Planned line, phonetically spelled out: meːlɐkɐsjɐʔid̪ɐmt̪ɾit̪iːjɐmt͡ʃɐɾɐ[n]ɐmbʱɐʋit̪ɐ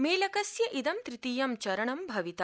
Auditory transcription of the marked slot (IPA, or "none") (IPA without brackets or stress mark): ɳ